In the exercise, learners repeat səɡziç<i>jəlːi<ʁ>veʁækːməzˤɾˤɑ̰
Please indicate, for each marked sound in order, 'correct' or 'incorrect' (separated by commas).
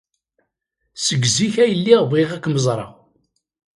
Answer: incorrect, correct